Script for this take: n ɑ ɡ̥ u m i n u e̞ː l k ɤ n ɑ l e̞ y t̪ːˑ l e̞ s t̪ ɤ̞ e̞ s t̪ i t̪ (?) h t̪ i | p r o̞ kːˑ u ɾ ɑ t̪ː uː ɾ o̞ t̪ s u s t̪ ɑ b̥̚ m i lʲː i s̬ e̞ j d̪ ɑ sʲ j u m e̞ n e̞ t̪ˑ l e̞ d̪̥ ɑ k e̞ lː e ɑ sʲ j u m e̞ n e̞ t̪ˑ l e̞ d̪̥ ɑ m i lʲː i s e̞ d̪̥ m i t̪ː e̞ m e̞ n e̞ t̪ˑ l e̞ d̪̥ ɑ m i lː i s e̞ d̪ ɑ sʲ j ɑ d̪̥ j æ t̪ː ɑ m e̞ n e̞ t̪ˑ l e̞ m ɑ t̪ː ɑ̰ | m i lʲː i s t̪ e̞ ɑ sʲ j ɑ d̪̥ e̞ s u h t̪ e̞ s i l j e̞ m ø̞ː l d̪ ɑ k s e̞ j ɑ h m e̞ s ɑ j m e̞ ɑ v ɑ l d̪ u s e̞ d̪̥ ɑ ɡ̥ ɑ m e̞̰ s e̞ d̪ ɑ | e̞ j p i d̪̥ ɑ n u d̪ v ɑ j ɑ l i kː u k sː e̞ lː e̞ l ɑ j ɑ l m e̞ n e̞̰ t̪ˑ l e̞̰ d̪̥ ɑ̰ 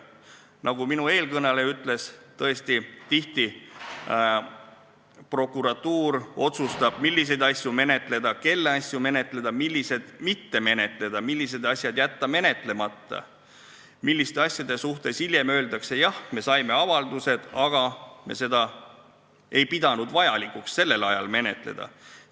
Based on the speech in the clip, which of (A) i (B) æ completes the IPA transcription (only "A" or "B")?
A